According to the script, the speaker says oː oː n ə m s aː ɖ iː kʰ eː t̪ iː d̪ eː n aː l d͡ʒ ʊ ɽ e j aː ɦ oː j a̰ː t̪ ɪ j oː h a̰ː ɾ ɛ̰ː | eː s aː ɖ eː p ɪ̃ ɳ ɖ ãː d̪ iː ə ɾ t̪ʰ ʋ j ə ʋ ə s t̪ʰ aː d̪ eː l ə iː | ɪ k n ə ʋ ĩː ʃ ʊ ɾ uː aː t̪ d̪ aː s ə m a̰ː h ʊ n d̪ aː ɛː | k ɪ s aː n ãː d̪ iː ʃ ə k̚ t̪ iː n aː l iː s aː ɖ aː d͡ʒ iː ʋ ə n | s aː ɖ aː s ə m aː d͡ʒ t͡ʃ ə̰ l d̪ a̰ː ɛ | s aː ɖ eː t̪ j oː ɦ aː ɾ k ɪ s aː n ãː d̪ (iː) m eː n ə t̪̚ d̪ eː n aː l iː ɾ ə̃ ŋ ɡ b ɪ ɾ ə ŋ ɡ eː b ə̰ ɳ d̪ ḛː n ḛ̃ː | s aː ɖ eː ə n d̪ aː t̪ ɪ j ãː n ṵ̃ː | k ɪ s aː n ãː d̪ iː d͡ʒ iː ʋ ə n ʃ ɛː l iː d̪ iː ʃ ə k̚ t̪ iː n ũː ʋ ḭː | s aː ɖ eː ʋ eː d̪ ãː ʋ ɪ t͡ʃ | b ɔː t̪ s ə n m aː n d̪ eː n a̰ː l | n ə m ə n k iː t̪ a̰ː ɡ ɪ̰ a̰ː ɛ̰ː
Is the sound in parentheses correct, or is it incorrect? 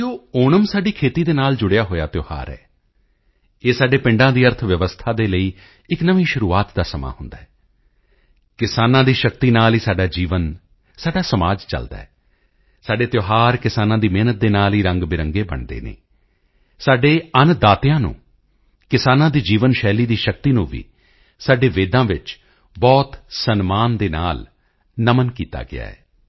correct